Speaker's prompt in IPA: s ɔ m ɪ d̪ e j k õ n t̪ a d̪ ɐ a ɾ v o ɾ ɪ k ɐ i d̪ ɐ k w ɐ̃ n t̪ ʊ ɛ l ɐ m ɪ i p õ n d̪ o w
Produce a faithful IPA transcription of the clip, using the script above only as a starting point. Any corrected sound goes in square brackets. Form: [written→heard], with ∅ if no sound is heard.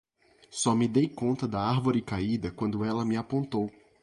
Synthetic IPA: s ɔ m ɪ d̪ e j k õ n t̪ [a→ɐ] d̪ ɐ a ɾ v o ɾ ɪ k [ɐ→a] i d̪ ɐ k w ɐ̃ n [t̪→d̪] ʊ ɛ l ɐ m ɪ [i→a] p õ n [d̪→t̪] o w